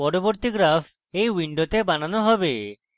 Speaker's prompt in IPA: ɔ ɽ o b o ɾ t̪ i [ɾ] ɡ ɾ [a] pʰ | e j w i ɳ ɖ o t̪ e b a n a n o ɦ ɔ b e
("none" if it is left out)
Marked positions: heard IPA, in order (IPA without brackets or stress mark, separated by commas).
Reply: none, a